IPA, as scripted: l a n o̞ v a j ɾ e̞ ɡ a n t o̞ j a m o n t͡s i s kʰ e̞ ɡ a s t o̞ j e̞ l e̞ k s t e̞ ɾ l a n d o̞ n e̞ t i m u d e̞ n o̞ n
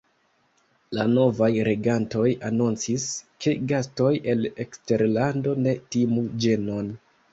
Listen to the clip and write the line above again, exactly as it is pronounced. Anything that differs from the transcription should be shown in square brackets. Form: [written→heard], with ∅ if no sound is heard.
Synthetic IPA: l a n o̞ v a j ɾ e̞ ɡ a n t o̞ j a [m→n] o n t͡s i s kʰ e̞ ɡ a s t o̞ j e̞ l e̞ k s t e̞ ɾ l a n d o̞ n e̞ t i m u [d→d͡ʒ] e̞ n o̞ n